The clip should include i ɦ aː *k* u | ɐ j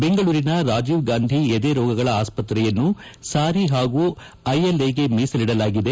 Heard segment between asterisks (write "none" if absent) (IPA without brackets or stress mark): ɡ